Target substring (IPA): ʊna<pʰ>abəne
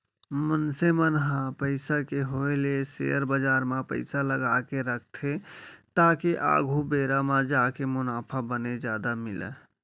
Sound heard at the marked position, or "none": pʰ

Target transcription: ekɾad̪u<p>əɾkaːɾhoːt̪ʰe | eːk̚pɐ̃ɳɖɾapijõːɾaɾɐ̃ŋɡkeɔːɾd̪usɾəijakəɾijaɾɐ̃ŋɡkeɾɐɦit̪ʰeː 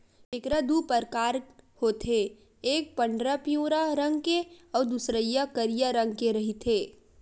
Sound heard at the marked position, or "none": p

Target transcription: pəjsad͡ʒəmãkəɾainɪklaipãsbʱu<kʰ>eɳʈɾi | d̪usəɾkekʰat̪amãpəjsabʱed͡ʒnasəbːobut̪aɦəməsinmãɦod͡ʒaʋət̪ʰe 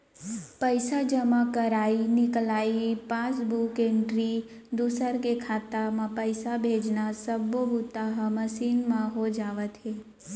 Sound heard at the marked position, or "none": k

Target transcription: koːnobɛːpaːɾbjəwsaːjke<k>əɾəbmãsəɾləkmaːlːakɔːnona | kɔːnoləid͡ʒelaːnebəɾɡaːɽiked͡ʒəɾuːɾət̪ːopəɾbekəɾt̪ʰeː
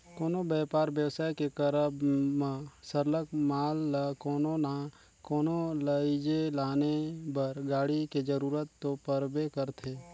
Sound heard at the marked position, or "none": k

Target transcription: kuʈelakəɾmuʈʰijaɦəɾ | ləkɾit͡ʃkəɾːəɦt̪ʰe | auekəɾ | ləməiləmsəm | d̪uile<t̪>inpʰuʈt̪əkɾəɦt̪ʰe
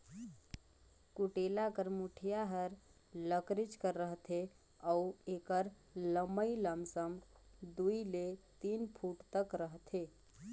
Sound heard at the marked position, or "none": t̪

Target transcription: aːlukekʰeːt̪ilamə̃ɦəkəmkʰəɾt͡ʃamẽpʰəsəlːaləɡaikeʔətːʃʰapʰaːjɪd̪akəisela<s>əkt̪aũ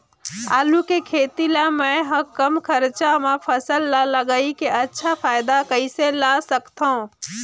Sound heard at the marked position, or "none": s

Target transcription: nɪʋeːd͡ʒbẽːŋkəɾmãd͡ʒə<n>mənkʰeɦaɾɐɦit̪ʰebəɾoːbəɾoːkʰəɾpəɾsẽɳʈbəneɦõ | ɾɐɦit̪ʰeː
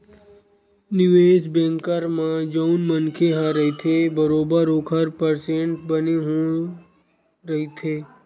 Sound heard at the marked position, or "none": n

